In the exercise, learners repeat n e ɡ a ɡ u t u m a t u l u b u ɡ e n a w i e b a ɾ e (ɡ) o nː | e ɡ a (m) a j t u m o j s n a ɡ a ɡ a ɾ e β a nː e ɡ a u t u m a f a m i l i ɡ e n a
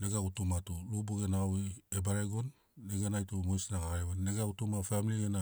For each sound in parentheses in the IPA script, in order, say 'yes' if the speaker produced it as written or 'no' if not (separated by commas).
yes, no